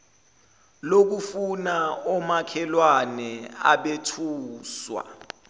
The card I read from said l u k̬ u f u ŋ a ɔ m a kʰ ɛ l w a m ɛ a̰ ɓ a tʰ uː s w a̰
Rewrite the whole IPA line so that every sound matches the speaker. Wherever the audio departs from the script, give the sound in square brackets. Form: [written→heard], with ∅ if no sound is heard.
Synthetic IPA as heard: l [u→o] k̬ u f u [ŋ→n] a ɔ m a kʰ ɛ l w a [m→n] ɛ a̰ ɓ [a→e] tʰ uː s w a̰